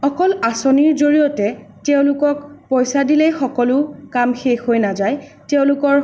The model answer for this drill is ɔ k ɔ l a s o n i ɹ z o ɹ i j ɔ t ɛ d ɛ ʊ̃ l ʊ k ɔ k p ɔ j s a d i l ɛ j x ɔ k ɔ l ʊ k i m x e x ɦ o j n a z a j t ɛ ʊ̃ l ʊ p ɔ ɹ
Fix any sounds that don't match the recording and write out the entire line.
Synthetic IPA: ɔ k ɔ l a s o n i ɹ z o ɹ i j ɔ t ɛ t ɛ ʊ̃ l ʊ k ɔ k p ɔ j s a d i l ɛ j x ɔ k ɔ l ʊ k a m x e x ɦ o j n a z a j t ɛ ʊ̃ l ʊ k ɔ ɹ